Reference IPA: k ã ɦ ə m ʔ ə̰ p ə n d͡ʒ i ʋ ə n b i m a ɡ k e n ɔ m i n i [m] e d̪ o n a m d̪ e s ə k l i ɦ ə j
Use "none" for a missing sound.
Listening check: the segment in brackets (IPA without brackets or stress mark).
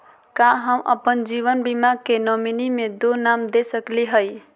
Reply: m